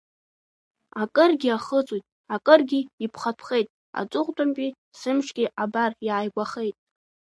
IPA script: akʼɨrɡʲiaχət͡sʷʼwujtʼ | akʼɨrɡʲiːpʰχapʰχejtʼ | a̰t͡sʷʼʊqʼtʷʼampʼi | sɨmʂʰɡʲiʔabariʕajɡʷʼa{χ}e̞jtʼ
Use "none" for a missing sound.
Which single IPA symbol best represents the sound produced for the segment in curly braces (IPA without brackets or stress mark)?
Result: χ